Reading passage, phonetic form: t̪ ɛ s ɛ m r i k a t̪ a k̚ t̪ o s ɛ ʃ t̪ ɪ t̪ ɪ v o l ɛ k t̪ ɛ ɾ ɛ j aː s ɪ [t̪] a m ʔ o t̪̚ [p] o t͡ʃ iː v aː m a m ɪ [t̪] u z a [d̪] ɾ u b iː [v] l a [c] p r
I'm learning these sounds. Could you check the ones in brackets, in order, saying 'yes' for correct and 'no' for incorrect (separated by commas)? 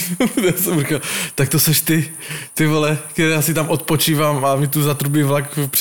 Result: yes, yes, yes, no, yes, no